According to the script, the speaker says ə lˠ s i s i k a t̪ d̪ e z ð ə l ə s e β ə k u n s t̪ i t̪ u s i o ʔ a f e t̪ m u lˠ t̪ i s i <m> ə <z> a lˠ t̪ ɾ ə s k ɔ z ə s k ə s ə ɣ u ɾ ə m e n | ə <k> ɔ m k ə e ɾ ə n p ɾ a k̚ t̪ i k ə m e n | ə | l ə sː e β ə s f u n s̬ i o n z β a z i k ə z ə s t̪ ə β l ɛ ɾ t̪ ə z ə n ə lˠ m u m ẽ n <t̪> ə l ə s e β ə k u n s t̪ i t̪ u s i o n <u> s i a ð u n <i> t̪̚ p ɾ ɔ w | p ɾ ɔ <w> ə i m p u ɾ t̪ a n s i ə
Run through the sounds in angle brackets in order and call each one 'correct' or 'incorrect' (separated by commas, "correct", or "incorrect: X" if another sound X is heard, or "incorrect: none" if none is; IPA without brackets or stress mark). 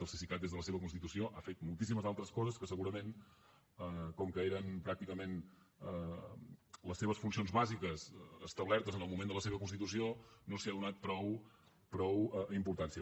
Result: correct, correct, correct, incorrect: d̪, incorrect: o, incorrect: a, correct